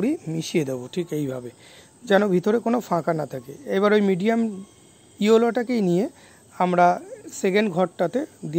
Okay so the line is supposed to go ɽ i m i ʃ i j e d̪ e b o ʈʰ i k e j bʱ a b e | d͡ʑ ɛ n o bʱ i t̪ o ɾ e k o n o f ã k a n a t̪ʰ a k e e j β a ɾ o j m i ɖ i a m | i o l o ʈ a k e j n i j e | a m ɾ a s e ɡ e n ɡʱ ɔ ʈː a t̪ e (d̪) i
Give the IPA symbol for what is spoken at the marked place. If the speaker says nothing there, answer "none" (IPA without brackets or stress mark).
d̪